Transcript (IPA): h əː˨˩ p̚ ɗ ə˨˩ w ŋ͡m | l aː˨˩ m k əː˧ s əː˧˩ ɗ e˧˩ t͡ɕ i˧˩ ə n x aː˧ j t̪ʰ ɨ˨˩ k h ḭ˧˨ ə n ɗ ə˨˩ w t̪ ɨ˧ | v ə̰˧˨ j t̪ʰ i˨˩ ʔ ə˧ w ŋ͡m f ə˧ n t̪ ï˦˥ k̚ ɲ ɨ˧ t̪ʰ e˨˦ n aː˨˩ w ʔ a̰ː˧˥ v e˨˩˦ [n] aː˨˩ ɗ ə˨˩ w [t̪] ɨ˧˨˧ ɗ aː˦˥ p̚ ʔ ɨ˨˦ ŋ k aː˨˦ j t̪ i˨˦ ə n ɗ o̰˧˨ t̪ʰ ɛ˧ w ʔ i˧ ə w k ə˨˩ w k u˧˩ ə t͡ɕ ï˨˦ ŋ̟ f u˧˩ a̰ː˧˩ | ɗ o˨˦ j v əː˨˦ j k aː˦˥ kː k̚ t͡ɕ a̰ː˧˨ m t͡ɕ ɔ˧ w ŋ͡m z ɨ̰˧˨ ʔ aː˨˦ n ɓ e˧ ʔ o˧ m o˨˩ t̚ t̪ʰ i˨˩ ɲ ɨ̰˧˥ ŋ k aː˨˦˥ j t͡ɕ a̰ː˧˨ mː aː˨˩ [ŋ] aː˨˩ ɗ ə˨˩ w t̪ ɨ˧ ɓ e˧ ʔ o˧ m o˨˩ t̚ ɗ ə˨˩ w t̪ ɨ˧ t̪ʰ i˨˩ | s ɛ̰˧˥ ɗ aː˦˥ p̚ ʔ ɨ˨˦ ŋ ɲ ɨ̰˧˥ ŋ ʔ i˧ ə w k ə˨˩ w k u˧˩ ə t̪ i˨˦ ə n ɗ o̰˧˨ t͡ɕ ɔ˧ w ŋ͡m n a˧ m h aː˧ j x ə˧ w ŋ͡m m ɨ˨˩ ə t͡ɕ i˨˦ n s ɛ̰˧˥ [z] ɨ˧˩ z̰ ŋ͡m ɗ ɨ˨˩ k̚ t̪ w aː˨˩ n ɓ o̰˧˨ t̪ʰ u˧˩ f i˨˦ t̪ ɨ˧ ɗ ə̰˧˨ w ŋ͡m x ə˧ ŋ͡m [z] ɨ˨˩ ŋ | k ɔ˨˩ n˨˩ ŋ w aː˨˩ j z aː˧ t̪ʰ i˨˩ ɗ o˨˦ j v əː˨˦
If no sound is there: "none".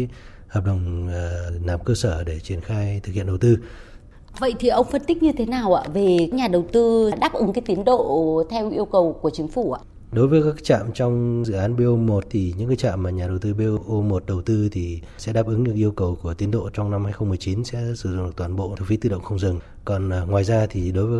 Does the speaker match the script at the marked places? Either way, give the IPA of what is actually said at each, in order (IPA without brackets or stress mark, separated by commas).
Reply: ɲ, t̪, ɲ, s, z